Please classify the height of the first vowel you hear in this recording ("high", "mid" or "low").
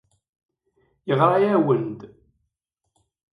mid